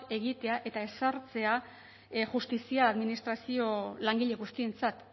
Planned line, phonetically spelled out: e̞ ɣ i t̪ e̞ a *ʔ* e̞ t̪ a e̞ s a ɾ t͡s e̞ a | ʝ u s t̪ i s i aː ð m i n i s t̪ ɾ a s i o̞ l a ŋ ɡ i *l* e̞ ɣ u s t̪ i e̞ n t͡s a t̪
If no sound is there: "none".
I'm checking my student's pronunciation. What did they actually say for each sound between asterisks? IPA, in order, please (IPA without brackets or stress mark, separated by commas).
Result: ʔ, ʎ